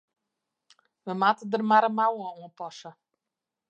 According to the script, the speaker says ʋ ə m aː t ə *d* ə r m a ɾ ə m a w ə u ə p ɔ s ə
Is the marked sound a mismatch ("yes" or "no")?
no